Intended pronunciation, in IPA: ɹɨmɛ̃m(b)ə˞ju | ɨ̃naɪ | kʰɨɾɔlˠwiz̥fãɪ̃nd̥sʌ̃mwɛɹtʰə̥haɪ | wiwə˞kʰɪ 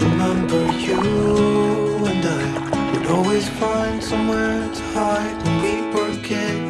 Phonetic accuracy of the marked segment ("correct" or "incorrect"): correct